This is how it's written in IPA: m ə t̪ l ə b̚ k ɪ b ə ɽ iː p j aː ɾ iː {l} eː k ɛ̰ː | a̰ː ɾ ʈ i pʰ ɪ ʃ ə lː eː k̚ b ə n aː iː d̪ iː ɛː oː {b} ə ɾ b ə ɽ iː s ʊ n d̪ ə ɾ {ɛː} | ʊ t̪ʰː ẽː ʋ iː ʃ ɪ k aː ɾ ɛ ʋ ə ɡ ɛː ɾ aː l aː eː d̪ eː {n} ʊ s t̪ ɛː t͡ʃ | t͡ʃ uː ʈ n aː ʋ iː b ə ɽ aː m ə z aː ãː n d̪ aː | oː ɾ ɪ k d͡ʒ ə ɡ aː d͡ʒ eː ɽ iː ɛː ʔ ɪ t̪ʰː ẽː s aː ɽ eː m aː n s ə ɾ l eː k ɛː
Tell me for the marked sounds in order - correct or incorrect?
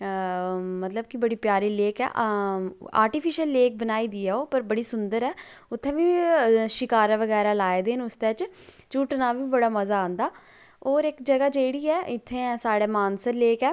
correct, incorrect, correct, correct

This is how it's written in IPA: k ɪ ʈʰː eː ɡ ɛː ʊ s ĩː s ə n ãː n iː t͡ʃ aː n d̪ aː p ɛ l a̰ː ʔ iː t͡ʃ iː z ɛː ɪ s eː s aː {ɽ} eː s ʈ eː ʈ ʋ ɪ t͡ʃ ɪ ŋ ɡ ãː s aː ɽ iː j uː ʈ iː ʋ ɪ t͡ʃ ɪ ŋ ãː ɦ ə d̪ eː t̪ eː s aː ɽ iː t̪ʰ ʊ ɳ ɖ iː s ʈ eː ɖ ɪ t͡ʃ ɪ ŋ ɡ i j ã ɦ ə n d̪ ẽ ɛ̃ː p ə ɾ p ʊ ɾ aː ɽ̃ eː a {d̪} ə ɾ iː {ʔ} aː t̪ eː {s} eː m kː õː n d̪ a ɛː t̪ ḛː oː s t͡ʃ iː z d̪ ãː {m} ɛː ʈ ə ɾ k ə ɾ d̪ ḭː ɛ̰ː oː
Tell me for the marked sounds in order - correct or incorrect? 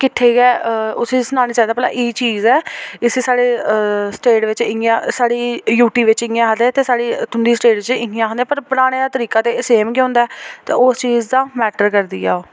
correct, incorrect, incorrect, correct, correct

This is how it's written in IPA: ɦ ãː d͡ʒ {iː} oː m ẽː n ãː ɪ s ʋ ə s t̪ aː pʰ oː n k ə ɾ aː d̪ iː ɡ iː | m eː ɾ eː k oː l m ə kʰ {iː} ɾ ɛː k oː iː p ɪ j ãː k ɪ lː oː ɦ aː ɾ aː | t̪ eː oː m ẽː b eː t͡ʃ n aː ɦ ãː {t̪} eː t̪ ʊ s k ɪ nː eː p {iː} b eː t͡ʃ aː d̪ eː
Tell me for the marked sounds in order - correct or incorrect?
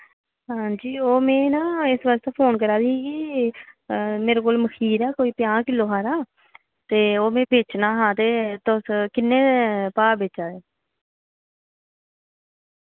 correct, correct, correct, incorrect

